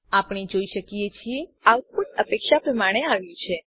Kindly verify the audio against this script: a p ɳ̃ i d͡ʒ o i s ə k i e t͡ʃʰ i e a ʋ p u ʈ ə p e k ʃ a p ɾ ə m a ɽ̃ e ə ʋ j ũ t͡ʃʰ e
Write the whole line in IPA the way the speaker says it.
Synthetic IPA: a p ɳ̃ i d͡ʒ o i ʃ ə k i e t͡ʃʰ i e a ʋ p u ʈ ə p e k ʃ a p ɾ ə m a ɽ̃ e a ʋ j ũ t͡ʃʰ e